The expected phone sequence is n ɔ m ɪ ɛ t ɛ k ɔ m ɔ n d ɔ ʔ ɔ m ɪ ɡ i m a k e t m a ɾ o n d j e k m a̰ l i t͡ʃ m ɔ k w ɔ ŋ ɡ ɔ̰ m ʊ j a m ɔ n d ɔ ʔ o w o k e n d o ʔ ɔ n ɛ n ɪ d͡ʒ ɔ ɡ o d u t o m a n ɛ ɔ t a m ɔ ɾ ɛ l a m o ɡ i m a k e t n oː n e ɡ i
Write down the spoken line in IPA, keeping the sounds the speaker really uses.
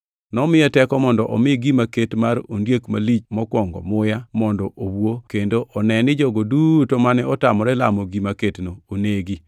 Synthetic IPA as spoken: n ɔ m ɪ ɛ t ɛ k ɔ m ɔ n d ɔ ʔ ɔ m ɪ ɡ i m a k e t m a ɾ o n d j e k m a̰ l i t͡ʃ m ɔ k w ɔ ŋ ɡ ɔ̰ m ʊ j a m ɔ n d ɔ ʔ o w o k e n d o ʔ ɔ n ɛ n ɪ d͡ʒ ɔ ɡ o d u t o m a n ɛ ɔ t a m ɔ ɾ ɛ l a m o ɡ i m a k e t n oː n e ɡ i

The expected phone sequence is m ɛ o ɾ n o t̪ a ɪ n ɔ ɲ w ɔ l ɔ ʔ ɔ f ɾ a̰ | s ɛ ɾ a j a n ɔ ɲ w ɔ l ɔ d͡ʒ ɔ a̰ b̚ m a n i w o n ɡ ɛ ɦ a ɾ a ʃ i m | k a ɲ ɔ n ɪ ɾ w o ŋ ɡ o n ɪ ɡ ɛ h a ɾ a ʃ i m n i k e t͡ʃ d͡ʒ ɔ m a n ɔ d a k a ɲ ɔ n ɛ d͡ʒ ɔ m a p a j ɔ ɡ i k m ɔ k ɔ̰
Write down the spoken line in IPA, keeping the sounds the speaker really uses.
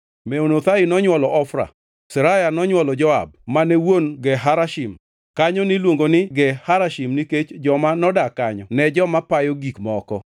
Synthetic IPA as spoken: m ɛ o n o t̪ a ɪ n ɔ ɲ w ɔ l ɔ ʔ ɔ f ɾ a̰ | s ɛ ɾ a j a n ɔ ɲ w ɔ l ɔ d͡ʒ ɔ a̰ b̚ m a n ɛ w o n ɡ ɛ ɦ a ɾ a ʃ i m | k a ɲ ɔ n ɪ l w o ŋ ɡ o n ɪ ɡ ɛ h a ɾ a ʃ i m n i k e t͡ʃ d͡ʒ ɔ m a n ɔ d a k a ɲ ɔ n ɛ d͡ʒ ɔ m a p a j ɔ ɡ i k m ɔ k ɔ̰

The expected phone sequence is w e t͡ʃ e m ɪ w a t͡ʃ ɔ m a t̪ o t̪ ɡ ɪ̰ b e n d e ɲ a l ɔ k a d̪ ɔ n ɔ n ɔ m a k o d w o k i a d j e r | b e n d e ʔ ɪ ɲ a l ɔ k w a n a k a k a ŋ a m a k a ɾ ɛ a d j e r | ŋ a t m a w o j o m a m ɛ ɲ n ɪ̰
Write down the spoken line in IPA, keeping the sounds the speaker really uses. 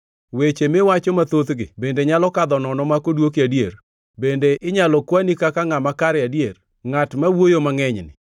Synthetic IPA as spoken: w e t͡ʃ e m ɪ w a t͡ʃ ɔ m a t̪ o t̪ ɡ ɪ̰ b e n d e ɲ a l ɔ k a d̪ ɔ n ɔ n ɔ m a k o d w o k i a d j e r | b e n d e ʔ ɪ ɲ a l ɔ k w a n i k a k a ŋ a m a k a ɾ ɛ a d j e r | ŋ a t m a w o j o m a ŋ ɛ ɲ n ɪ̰

